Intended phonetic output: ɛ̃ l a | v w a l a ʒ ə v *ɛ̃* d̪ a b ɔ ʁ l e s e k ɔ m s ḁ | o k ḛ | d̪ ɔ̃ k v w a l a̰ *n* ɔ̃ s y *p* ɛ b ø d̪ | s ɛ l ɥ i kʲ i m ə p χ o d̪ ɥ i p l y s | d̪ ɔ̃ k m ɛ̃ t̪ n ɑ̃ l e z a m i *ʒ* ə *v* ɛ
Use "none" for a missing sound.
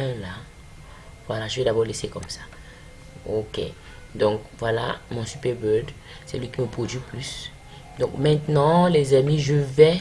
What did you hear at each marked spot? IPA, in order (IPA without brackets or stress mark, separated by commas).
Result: ɛ, m, p, ʒ, v